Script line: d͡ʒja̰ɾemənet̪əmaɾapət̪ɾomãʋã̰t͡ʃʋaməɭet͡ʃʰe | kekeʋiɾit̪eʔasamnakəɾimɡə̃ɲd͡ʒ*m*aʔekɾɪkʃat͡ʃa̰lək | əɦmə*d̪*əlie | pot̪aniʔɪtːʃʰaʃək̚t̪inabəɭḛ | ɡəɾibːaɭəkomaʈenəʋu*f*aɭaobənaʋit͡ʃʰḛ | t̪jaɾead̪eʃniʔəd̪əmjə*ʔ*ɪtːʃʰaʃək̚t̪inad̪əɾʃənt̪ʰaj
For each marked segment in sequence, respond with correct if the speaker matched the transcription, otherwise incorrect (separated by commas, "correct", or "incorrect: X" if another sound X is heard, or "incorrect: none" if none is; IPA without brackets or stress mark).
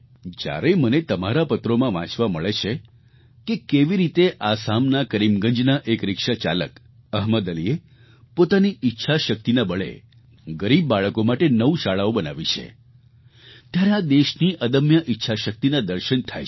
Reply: incorrect: n, correct, incorrect: ʃ, correct